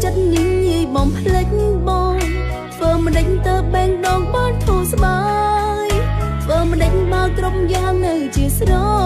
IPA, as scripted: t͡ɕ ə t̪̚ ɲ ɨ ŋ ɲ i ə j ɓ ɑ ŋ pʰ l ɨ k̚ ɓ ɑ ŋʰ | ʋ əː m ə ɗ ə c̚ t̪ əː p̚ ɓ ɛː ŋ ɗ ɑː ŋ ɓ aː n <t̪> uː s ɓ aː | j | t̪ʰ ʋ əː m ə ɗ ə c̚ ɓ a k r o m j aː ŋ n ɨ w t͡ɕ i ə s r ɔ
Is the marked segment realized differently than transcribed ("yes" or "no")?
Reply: yes